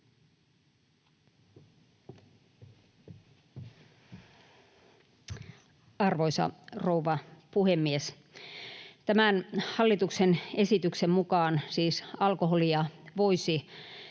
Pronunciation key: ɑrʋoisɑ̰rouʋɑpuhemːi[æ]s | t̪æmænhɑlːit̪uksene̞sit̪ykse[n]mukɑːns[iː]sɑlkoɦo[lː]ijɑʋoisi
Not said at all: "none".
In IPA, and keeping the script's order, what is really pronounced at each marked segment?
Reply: e, m, iː, l

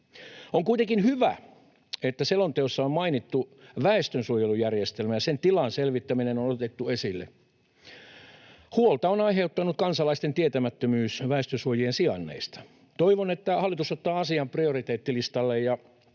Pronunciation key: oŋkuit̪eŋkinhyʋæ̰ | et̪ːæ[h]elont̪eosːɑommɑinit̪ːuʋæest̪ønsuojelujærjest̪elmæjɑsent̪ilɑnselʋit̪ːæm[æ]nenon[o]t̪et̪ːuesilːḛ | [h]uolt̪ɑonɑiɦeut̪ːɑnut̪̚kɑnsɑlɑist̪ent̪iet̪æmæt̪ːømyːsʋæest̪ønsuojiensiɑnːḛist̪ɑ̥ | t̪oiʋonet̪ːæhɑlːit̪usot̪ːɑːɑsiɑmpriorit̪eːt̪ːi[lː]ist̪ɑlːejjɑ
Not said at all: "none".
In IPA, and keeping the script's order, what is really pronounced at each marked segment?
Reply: s, i, o, h, l

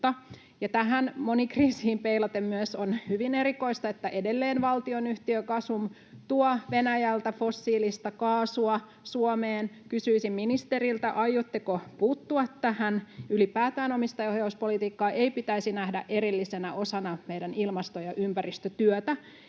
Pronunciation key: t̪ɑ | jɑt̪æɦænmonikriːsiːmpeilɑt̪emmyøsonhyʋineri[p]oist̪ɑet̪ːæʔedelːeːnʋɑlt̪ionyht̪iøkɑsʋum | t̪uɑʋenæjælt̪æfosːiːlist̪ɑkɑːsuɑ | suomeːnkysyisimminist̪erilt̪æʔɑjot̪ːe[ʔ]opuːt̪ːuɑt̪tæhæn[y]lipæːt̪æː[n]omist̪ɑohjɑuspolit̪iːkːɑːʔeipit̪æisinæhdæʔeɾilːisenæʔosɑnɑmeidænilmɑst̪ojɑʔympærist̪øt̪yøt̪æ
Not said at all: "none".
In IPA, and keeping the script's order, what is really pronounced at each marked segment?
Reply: k, k, y, n

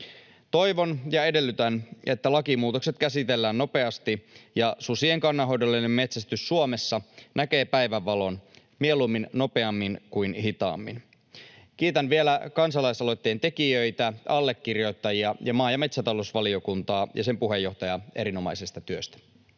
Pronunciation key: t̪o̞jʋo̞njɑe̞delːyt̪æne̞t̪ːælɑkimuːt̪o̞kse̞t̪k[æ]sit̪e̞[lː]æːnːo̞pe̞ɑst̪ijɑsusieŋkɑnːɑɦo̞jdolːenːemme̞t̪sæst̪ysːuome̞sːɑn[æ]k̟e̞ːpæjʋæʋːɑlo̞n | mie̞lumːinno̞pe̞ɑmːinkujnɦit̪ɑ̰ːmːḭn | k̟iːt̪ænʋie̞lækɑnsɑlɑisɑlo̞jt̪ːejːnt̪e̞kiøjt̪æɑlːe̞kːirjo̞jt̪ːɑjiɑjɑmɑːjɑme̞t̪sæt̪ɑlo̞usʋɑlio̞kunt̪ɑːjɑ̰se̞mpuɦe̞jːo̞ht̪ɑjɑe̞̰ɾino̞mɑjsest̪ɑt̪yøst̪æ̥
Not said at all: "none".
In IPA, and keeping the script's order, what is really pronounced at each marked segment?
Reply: æ, lː, æ

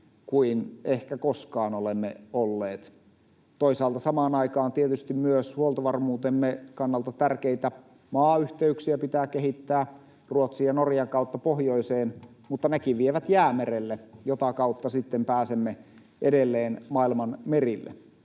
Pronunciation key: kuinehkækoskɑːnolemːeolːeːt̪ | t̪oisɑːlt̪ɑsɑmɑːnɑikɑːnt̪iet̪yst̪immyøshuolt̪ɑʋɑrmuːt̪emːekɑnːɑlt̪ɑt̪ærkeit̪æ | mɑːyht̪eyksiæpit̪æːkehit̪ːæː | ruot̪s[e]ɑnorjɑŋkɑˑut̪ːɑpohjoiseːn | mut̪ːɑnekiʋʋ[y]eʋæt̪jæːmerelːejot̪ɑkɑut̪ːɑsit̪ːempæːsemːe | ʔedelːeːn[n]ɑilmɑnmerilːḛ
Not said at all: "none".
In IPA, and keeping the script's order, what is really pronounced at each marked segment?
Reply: i, i, m

